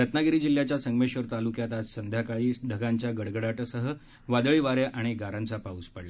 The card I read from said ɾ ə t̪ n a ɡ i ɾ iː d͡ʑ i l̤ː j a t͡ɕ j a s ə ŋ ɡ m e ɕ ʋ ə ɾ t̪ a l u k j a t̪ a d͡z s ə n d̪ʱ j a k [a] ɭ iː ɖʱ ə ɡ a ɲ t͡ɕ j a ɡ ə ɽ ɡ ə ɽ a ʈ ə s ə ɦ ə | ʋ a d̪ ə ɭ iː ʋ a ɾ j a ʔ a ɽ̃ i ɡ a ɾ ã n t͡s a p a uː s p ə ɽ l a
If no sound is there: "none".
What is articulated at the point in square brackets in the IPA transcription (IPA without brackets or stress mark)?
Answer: a